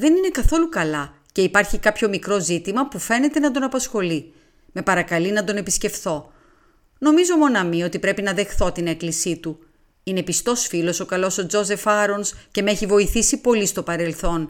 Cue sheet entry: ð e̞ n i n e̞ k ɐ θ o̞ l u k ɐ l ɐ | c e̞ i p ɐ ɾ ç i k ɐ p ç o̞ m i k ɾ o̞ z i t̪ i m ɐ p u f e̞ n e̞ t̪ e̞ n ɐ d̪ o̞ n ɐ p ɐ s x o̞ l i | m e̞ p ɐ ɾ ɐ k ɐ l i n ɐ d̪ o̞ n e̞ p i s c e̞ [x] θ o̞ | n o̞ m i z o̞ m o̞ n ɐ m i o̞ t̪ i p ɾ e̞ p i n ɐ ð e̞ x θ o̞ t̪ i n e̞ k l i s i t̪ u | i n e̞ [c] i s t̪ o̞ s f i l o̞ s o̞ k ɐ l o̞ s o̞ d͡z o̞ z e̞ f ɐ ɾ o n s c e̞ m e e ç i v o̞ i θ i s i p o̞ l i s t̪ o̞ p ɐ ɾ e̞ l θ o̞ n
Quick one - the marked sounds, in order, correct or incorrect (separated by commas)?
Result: incorrect, incorrect